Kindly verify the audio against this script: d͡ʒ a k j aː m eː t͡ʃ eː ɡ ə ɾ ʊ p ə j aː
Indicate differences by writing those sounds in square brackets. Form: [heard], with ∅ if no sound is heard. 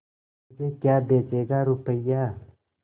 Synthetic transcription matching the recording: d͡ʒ [e] k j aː [b] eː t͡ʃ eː ɡ [a] ɾ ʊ p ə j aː